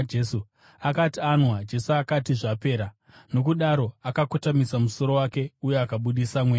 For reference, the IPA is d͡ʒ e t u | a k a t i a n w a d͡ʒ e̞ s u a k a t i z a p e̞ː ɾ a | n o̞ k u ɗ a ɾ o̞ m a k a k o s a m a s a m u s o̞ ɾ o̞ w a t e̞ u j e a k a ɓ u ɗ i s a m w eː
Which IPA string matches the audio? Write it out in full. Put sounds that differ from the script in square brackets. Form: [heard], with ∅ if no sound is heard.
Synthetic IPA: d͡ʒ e [s] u | a k a t i a n w a d͡ʒ e̞ s u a k a t i [ʐ] a p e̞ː ɾ a | n o̞ k u ɗ a ɾ o̞ [∅] a k a k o [t] a m [i] s a m u s o̞ ɾ o̞ w a [k] e̞ u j e a k a ɓ u ɗ i s a m w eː